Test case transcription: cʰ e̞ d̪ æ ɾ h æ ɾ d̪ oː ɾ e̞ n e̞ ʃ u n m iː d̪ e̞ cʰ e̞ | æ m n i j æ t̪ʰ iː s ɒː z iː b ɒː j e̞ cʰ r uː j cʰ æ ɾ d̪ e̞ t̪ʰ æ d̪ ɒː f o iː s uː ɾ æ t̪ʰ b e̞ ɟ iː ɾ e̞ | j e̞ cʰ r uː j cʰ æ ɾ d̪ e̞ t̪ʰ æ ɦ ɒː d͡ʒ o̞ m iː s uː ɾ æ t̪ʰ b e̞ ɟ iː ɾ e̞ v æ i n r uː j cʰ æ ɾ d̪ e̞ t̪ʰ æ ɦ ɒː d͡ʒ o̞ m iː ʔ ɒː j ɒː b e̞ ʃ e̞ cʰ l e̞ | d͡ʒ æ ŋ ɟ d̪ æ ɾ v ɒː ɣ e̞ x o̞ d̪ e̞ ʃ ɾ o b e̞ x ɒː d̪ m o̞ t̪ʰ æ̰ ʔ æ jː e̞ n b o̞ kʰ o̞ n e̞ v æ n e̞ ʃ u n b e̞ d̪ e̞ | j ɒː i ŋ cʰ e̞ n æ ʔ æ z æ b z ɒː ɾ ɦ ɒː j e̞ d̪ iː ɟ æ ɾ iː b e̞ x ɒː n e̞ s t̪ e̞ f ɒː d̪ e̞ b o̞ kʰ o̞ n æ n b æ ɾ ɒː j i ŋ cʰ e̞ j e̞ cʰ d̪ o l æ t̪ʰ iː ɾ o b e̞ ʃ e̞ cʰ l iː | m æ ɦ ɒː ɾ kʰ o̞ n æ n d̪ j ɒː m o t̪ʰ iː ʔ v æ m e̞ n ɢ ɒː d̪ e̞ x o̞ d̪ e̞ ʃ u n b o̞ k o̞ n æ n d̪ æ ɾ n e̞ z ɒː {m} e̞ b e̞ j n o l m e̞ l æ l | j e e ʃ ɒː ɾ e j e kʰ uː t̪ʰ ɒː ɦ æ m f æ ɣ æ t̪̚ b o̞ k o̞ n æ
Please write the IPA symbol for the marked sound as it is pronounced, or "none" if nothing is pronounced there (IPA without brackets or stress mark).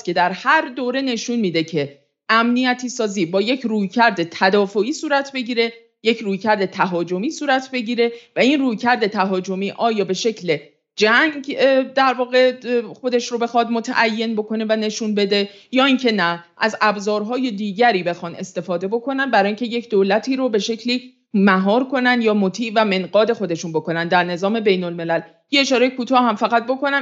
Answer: m